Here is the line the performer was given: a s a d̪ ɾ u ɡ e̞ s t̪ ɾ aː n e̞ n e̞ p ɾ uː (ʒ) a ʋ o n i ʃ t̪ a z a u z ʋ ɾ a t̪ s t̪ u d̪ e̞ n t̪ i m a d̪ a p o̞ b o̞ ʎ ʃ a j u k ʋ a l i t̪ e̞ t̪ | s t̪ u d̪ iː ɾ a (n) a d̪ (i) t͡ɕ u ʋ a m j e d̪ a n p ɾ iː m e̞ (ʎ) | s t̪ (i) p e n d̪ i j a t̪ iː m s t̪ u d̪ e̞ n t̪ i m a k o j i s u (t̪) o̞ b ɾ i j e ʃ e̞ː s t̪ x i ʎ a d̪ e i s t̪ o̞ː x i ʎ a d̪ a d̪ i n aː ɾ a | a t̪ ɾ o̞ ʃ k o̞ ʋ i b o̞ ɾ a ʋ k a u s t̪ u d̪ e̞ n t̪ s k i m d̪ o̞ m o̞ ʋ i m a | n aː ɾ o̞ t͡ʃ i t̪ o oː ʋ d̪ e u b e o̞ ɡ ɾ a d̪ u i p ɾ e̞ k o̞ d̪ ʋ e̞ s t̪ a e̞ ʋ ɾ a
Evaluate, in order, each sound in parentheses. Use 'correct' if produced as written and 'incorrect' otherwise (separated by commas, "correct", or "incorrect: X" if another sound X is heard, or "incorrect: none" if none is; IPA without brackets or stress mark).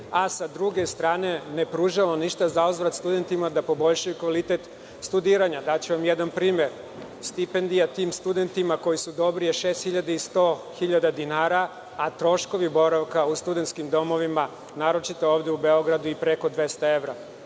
correct, incorrect: ɲ, incorrect: a, incorrect: ɾ, correct, incorrect: d̪